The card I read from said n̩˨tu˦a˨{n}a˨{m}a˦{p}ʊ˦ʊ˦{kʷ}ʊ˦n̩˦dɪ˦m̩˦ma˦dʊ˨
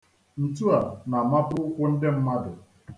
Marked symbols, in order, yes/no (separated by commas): yes, yes, yes, yes